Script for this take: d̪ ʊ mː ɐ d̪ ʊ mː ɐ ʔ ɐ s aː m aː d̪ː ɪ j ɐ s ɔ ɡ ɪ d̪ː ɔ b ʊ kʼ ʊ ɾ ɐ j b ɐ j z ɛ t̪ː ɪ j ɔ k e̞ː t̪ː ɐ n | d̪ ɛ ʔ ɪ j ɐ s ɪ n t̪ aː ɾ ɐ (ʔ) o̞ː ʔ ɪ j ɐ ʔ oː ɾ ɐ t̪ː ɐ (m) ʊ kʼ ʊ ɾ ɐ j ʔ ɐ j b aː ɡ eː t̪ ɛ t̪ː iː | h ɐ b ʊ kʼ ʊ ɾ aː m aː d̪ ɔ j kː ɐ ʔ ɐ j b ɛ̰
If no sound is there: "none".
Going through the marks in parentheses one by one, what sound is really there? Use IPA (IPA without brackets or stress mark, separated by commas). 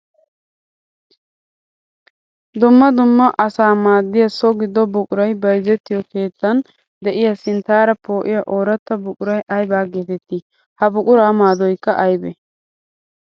p, b